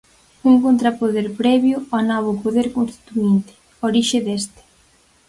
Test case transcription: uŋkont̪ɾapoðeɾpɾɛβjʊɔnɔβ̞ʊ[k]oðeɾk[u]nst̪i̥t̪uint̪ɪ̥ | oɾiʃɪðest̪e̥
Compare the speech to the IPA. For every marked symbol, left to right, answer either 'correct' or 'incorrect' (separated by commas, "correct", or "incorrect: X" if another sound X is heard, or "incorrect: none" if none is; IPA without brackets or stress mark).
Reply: incorrect: p, incorrect: o